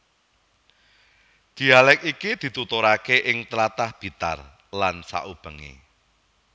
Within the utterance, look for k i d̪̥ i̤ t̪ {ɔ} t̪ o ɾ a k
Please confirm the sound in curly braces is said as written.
no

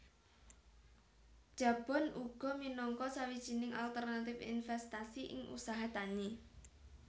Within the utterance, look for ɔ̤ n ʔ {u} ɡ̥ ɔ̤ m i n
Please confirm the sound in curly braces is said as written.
yes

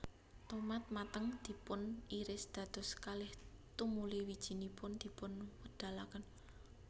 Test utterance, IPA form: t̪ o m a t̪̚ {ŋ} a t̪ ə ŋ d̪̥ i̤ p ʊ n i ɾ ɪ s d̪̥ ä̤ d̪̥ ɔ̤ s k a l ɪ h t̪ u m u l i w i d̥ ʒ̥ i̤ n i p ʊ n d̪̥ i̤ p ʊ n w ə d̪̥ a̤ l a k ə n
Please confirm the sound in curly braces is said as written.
no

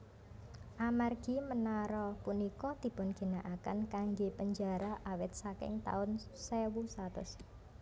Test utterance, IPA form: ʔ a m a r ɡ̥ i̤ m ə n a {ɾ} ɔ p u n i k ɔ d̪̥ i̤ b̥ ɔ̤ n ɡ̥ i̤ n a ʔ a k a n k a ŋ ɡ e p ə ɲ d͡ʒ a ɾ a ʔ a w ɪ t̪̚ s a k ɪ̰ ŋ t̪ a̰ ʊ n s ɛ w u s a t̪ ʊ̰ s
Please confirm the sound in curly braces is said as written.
yes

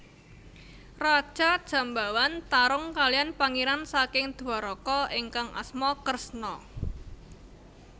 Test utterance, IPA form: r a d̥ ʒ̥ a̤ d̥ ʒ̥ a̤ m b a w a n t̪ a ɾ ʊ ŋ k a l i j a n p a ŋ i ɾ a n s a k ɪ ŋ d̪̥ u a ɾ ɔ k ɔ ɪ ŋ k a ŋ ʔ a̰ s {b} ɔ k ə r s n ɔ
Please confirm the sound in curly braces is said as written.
no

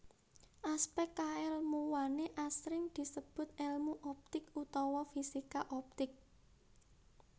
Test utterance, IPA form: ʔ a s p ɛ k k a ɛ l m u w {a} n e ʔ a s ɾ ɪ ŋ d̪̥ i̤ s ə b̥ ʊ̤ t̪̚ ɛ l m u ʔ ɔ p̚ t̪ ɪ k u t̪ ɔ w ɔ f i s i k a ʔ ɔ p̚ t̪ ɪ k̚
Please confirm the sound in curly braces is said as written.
yes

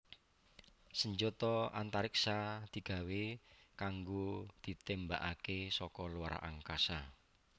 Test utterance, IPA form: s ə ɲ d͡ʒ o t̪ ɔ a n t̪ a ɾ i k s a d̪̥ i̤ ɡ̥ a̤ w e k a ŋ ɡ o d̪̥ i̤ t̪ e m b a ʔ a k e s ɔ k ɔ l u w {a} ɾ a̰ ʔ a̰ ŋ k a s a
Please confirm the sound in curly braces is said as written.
yes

